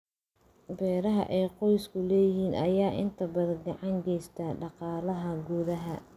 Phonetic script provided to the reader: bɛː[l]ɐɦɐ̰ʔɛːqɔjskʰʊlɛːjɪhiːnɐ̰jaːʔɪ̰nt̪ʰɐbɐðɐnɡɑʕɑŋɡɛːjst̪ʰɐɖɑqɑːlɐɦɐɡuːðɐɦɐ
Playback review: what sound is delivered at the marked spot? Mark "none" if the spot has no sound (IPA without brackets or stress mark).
ɾ